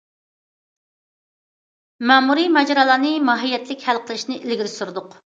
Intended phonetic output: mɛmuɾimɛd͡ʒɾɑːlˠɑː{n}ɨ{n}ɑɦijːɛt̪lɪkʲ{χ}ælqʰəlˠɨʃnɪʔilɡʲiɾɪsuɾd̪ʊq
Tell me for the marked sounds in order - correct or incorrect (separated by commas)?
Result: correct, incorrect, incorrect